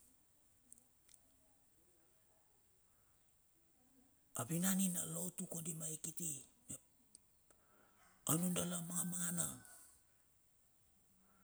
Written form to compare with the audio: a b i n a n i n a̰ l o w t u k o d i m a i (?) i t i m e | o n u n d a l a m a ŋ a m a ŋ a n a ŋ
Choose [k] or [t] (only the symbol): k